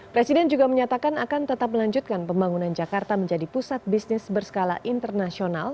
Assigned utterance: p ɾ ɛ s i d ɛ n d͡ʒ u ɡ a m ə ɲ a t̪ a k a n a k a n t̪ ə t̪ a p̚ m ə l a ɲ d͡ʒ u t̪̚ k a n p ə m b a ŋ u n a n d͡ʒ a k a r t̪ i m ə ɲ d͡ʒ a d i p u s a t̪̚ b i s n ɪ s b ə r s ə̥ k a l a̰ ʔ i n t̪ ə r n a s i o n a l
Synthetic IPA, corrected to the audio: p ɾ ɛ s i d ɛ n d͡ʒ u ɡ a m ə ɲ a t̪ a k a n a k a n t̪ ə t̪ a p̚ m ə l a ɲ d͡ʒ u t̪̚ k a n p ə m b a ŋ u n a n d͡ʒ a k a r t̪ a m ə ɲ d͡ʒ a d i p u s a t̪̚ b i s n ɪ s b ə r s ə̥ k a l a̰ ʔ i n t̪ ə r n a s i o n a l